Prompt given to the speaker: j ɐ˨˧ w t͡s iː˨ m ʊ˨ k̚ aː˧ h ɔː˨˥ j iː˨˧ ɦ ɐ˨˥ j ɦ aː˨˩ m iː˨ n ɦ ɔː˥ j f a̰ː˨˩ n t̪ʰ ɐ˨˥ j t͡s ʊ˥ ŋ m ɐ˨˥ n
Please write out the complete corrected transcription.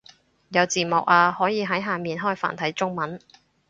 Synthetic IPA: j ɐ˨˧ w t͡s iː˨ m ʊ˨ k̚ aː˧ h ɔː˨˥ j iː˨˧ ɦ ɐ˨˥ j ɦ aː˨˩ m iː˨ n ɦ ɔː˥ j f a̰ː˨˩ n t̪ʰ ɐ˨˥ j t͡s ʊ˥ ŋ m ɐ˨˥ n